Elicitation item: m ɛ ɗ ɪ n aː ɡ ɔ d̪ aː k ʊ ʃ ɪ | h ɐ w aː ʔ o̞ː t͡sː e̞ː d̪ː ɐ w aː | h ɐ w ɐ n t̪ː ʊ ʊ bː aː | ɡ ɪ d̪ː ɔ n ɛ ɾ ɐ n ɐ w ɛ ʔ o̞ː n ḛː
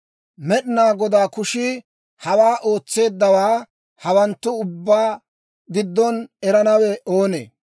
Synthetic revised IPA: m ɛ ɗ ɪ n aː ɡ ɔ d̪ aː k ʊ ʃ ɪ | h ɐ w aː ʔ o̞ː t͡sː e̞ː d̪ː ɐ w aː | h ɐ w ɐ n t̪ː ʊ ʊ bː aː | ɡ ɪ d̪ː ɔ n ɛ ɾ ɐ n ɐ w ɛ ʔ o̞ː n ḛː